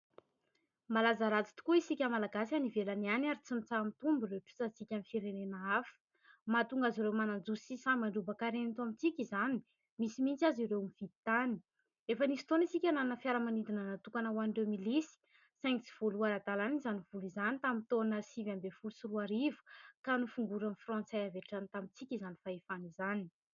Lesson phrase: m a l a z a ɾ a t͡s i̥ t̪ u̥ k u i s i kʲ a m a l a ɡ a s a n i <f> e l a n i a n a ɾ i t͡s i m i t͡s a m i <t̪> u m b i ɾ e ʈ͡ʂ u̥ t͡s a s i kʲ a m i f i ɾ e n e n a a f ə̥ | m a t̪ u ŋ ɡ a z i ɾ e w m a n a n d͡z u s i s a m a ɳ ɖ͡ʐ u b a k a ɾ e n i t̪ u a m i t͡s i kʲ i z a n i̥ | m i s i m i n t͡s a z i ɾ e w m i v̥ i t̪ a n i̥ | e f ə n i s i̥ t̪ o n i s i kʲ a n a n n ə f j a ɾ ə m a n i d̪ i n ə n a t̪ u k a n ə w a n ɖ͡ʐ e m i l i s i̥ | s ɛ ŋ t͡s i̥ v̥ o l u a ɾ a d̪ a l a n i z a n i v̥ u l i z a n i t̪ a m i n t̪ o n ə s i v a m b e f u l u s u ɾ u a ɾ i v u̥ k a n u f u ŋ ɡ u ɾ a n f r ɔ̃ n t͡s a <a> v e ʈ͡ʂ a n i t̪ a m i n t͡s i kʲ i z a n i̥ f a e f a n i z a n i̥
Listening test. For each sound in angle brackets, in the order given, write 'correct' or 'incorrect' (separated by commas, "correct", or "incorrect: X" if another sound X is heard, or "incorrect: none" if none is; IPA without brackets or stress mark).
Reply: incorrect: v, correct, correct